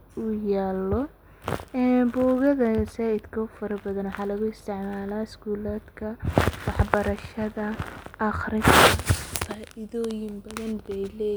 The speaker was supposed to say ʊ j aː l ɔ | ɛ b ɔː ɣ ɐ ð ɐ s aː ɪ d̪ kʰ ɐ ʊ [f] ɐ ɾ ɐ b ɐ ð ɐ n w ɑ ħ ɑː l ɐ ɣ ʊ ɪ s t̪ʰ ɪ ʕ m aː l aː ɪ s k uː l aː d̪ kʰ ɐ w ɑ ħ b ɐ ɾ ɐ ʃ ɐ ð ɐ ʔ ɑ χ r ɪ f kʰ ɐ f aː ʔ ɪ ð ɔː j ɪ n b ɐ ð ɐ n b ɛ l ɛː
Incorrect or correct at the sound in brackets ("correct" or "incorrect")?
correct